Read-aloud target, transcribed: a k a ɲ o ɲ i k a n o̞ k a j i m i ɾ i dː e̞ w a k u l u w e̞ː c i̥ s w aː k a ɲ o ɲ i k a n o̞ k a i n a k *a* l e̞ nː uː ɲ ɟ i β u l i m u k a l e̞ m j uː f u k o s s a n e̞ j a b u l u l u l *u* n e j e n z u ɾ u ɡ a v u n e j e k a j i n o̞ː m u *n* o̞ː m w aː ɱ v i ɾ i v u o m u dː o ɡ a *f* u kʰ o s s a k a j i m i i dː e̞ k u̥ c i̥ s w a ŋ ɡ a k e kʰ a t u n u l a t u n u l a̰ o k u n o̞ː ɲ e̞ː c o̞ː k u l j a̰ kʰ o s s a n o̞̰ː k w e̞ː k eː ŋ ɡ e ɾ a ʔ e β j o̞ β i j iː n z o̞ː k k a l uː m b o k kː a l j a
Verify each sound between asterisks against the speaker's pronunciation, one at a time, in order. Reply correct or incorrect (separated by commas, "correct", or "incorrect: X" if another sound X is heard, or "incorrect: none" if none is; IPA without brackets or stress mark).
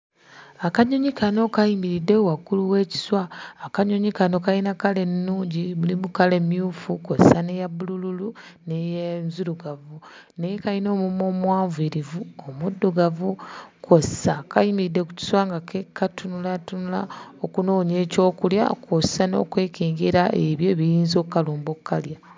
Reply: correct, correct, incorrect: m, incorrect: v